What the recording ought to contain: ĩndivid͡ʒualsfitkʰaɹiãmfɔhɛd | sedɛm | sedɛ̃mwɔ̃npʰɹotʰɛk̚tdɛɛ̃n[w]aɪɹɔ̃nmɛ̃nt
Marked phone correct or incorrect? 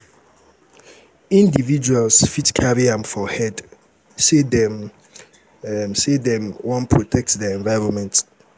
incorrect